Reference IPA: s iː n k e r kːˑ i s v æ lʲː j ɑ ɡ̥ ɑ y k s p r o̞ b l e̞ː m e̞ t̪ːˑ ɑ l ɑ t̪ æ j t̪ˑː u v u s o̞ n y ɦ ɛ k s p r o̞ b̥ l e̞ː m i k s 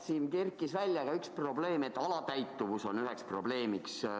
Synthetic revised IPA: s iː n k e r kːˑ i s v æ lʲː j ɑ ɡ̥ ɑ y k s p r o̞ b l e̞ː m e̞ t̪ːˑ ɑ l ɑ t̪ æ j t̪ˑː u v u s o̞ n y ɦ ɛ k s p r o̞ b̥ l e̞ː m i k s